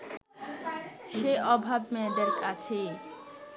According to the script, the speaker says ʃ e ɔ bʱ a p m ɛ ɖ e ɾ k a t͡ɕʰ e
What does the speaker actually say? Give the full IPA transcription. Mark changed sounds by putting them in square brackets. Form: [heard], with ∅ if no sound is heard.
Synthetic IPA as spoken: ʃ e ɔ bʱ a [b] m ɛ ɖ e ɾ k a t͡ɕʰ e